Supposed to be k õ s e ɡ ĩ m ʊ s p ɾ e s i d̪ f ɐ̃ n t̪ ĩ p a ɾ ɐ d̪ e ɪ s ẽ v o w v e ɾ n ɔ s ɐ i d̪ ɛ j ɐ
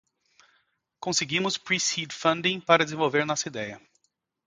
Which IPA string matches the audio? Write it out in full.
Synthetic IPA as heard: k õ s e ɡ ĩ m ʊ s p ɾ i s i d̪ f ɐ̃ n d̪ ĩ p a ɾ ɐ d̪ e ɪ z ẽ v o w v e ɾ n ɔ s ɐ i d̪ ɛ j ɐ

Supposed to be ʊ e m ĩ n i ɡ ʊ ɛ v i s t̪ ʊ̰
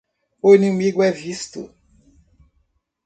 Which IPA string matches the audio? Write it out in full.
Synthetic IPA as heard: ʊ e n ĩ m i ɡ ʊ ɛ v i s t̪ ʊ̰

